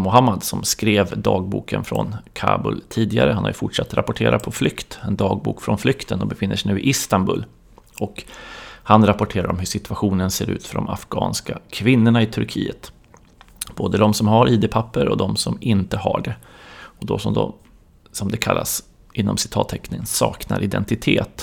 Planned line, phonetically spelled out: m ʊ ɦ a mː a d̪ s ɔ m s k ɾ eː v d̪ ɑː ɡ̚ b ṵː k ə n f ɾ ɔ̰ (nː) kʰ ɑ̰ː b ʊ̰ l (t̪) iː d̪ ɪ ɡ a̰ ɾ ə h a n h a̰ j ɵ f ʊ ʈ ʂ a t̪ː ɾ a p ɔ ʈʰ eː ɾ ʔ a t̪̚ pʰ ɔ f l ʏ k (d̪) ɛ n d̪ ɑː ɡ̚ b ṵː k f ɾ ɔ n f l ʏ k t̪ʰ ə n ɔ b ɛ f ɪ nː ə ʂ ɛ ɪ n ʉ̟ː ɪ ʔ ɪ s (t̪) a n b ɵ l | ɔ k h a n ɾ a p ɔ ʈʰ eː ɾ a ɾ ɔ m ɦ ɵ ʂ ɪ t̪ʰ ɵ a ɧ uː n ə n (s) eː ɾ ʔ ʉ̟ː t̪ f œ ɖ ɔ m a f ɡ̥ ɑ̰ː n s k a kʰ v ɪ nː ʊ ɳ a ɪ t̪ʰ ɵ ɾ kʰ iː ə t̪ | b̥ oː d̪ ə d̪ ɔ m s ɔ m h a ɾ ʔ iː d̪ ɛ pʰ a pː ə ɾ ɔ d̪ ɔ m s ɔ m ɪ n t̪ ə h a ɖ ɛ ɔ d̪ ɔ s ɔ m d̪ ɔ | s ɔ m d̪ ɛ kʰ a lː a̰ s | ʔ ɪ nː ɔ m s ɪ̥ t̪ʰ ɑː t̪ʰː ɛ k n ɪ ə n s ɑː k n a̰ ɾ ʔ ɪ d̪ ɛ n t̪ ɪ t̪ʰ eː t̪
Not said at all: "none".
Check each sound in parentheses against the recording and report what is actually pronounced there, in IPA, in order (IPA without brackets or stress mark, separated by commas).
n, t̪ʰ, t̪, t̪, s